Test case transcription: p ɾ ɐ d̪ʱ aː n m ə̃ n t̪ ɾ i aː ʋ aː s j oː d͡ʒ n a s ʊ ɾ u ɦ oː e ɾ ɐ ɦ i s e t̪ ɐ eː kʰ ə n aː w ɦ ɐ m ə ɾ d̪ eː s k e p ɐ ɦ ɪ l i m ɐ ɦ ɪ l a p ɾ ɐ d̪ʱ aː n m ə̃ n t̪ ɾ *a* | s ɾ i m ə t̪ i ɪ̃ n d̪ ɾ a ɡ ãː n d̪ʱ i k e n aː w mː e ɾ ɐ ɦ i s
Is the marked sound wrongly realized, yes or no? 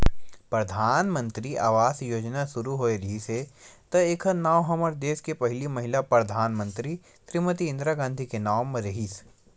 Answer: yes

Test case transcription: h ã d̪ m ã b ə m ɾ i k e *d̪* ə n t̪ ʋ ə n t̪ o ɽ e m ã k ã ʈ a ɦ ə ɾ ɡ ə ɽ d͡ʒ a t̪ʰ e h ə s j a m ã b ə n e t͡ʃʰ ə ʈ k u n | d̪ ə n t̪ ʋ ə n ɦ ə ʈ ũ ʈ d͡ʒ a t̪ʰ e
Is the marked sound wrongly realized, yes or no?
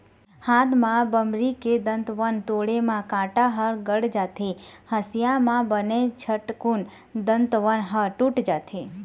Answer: no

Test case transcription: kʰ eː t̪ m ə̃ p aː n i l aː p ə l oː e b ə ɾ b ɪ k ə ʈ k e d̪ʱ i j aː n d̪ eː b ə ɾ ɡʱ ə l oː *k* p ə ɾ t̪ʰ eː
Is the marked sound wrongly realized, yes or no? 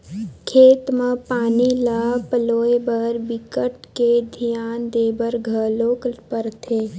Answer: no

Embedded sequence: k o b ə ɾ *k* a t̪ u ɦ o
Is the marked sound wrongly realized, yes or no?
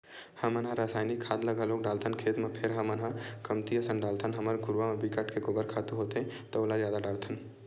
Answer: yes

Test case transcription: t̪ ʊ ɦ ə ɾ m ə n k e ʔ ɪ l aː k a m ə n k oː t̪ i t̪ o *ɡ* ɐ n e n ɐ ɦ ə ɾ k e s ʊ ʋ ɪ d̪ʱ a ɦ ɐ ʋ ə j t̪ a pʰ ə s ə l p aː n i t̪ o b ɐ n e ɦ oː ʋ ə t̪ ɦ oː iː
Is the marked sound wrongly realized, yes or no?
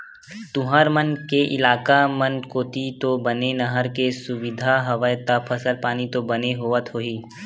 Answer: yes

